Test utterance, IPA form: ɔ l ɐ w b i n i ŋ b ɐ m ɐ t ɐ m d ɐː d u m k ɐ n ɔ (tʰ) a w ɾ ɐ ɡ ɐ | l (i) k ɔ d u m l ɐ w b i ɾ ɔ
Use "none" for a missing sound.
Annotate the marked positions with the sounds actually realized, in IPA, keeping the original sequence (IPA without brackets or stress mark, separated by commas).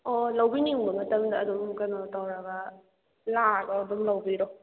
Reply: t, a